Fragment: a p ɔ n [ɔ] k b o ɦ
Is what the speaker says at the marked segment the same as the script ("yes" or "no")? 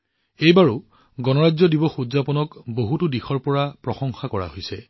yes